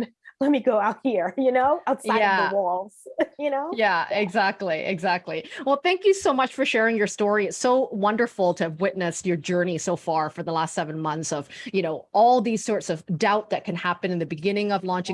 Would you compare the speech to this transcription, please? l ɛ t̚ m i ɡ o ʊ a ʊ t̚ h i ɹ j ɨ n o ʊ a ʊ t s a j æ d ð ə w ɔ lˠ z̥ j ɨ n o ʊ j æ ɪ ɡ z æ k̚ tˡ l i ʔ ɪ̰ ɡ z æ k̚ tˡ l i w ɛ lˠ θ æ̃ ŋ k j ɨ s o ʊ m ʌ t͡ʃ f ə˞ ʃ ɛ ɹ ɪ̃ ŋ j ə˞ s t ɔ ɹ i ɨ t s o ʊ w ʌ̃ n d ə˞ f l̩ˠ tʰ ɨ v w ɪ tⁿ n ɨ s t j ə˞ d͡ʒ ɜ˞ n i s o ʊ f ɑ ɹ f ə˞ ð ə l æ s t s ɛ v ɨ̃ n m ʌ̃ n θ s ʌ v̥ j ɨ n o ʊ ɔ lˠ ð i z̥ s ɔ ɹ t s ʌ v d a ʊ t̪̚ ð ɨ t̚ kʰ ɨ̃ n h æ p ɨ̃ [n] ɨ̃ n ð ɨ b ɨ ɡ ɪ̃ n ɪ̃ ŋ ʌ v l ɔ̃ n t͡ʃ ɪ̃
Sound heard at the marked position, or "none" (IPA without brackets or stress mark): n